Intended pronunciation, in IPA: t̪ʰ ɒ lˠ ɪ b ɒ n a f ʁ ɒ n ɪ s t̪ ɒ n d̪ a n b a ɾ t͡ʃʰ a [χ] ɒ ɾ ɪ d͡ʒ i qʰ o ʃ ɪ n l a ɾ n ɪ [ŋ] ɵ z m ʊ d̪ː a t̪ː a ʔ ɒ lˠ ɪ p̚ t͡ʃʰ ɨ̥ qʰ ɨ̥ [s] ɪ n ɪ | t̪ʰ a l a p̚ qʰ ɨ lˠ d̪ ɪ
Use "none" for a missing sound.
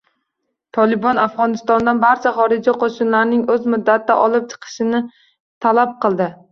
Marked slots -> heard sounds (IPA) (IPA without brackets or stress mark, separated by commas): χ, ŋ, ʃ